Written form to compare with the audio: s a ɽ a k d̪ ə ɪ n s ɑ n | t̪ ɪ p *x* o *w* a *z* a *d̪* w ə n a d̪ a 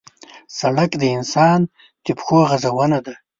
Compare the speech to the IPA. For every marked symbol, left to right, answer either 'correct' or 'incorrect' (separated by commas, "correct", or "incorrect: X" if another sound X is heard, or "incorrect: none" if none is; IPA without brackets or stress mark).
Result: correct, incorrect: ɣ, correct, incorrect: none